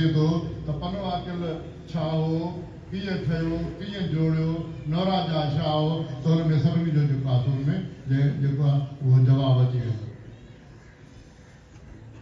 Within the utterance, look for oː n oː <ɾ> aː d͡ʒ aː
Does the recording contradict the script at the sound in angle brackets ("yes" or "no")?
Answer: no